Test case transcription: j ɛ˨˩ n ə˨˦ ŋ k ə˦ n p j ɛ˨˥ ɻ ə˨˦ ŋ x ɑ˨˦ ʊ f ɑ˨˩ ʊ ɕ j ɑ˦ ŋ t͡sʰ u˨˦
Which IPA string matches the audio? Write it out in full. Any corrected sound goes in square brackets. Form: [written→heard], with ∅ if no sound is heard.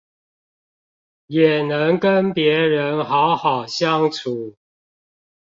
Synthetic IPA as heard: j ɛ˨˩ n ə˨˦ ŋ k ə˦ n p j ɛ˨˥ ɻ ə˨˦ [ŋ→n] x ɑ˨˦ ʊ [f→x] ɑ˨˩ ʊ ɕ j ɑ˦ ŋ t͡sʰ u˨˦